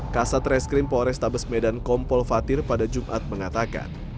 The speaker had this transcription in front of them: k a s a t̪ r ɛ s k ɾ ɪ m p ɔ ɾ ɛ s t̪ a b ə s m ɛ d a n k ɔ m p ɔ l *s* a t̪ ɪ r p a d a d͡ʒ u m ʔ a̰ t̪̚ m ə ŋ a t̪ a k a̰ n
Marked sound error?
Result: yes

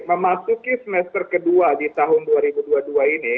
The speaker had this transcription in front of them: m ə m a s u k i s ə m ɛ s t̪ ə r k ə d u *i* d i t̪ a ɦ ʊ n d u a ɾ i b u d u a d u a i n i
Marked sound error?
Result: yes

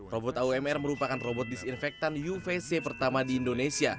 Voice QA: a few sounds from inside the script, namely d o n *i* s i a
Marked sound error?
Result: yes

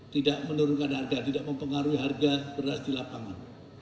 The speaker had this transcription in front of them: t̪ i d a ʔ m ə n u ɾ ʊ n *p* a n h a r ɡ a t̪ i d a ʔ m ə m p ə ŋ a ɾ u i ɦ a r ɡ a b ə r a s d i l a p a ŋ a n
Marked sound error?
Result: yes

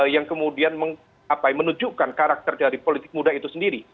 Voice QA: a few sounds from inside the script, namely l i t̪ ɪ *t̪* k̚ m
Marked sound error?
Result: yes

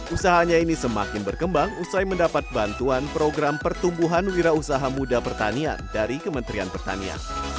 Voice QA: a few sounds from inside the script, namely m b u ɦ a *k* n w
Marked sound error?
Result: yes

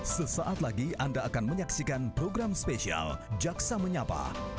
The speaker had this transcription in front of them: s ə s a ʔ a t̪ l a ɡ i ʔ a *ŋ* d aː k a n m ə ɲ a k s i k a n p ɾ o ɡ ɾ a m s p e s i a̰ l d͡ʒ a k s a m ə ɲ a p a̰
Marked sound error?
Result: yes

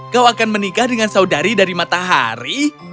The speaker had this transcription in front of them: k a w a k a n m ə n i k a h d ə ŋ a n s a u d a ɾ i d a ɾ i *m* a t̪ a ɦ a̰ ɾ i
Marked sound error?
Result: no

